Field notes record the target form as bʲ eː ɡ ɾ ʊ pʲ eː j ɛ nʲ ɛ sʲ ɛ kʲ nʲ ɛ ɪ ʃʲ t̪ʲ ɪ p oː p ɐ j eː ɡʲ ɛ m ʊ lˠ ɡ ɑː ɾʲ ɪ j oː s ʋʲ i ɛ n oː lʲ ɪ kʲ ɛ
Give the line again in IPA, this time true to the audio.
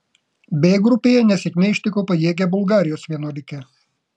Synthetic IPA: bʲ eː ɡ ɾ ʊ pʲ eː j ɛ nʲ ɛ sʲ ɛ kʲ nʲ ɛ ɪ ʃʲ t̪ʲ ɪ k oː p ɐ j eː ɡʲ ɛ b ʊ lˠ ɡ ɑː ɾʲ ɪ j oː s ʋʲ i ɛ n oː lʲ ɪ kʲ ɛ